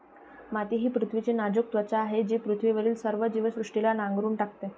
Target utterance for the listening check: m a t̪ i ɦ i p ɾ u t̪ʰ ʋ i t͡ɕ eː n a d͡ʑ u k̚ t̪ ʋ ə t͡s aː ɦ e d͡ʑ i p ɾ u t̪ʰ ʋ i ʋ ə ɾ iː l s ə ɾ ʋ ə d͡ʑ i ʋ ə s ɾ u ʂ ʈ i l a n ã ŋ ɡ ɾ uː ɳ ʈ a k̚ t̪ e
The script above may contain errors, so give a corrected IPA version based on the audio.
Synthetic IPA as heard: m a t̪ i ɦ iː p ɾ u t̪ʰ ʋ i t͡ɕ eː n a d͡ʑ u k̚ t̪ ʋ ə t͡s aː ɦ e d͡ʑ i p ɾ u t̪ʰ ʋ i ʋ ə ɾ iː l s ə ɾ ʋ ə d͡ʑ i ʋ ə s ɾ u ʂ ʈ i l a n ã ŋ ɡ ɾ uː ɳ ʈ a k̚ t̪ e